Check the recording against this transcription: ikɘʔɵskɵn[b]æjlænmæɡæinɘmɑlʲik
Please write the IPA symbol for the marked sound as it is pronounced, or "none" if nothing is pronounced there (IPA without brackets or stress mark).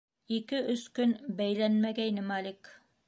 b